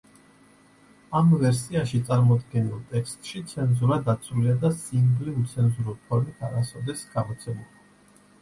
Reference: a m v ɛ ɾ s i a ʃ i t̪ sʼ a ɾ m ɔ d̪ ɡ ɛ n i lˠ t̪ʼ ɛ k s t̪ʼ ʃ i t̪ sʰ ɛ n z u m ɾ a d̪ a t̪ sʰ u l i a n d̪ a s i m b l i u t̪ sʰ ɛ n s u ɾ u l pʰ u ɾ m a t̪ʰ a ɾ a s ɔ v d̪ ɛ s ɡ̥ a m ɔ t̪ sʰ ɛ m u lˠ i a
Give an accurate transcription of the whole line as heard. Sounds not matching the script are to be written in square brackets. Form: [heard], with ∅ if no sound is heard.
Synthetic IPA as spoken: a m v ɛ ɾ s i a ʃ i t̪ sʼ a ɾ m ɔ d̪ ɡ ɛ n i lˠ t̪ʼ ɛ k s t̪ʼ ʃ i t̪ sʰ ɛ n z u [∅] ɾ a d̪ a t̪ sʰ u l i a [∅] d̪ a s i m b l i u t̪ sʰ ɛ n [z] u ɾ u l pʰ [ɔ] ɾ m [i] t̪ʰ a ɾ a s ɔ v d̪ ɛ s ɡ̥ a m ɔ t̪ sʰ ɛ m u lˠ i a

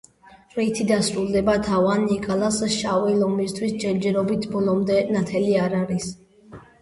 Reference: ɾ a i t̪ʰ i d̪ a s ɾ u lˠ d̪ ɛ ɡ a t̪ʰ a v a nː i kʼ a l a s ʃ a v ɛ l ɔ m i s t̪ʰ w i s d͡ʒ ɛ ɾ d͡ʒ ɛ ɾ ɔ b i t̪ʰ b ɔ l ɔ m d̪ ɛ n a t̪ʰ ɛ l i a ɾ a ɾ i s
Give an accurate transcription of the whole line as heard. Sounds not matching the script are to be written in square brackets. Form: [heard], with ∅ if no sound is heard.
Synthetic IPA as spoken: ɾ [ɛ] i t̪ʰ i d̪ a s ɾ u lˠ d̪ ɛ [b] a t̪ʰ a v a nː i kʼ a l a s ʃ a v ɛ l ɔ m i s t̪ʰ w i s d͡ʒ ɛ ɾ d͡ʒ ɛ ɾ ɔ b i t̪ʰ b ɔ l ɔ m d̪ ɛ n a t̪ʰ ɛ l i a ɾ a ɾ i s

